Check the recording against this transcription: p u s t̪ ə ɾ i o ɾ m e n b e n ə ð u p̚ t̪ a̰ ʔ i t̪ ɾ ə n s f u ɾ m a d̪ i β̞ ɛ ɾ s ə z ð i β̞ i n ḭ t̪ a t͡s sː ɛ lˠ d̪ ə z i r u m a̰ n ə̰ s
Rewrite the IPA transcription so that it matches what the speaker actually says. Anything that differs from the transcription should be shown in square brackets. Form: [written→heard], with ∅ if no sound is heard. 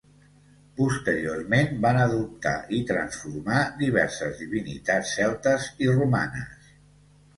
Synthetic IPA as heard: p u s t̪ ə ɾ i o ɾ m e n b [e→a] n ə ð u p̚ t̪ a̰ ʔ i t̪ ɾ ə n s f u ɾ m a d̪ i β̞ ɛ ɾ s ə z ð i β̞ i n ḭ t̪ a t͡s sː ɛ lˠ [d̪→t̪] ə z i r u m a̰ n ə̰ s